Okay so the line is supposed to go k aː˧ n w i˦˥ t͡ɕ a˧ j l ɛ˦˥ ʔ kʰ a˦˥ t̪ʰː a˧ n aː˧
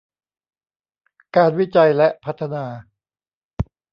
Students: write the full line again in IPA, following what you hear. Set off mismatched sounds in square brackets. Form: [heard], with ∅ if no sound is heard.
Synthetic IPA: k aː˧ n w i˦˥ t͡ɕ a˧ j l ɛ˦˥ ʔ [pʰ] a˦˥ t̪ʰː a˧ n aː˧

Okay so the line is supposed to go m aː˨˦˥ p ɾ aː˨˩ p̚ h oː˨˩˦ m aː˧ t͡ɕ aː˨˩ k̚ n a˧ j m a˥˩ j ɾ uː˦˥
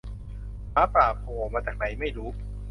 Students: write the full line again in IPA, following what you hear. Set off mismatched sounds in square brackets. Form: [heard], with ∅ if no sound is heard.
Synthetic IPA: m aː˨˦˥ p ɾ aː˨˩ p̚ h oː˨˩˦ m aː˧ t͡ɕ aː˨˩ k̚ n [a˩˦] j m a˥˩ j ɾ uː˦˥

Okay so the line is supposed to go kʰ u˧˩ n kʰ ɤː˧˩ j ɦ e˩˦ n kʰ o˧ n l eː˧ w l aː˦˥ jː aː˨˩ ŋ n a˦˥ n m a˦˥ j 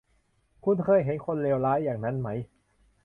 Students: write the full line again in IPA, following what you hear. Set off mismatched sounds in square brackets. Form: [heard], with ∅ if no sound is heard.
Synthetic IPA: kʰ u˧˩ n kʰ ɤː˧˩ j ɦ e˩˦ n kʰ o˧ n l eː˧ w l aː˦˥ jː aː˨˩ ŋ n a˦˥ n m a˦˥ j

